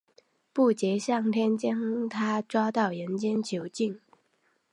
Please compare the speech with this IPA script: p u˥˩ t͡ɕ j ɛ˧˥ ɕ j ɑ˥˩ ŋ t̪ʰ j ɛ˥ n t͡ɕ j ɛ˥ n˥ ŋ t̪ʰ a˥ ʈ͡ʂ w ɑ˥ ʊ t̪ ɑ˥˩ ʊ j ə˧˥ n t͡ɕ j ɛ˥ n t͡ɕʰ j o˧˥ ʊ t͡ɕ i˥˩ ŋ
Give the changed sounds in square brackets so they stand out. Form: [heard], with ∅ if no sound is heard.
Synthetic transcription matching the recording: p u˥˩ t͡ɕ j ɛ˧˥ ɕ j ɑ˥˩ ŋ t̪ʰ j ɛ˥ n t͡ɕ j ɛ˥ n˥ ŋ t̪ʰ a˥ ʈ͡ʂ w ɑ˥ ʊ t̪ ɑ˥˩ ʊ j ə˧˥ n t͡ɕ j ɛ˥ n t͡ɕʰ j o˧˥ ʊ t͡ɕ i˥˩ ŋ